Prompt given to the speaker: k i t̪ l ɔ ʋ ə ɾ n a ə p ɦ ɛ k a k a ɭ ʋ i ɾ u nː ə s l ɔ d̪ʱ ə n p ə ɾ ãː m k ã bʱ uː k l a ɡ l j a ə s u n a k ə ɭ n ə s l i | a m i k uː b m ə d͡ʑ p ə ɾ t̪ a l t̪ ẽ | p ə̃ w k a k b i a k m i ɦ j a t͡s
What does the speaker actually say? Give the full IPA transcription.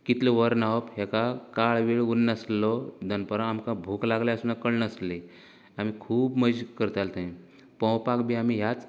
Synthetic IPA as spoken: k i t̪ l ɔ ʋ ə ɾ n a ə p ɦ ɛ k a k a ɭ ʋ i ɭ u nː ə s l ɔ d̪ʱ ə n p ə ɾ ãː m k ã bʱ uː k l a ɡ l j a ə s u n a k ə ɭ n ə s l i | a m i kʰ uː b m ə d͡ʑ k ə ɾ t̪ a l t̪ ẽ | p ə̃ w p a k b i a m i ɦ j a t͡s